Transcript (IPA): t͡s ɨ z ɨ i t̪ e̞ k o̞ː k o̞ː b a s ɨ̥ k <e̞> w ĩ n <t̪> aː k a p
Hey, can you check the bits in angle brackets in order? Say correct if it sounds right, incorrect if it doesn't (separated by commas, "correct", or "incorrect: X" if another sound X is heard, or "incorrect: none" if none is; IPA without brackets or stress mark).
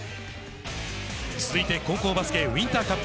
correct, correct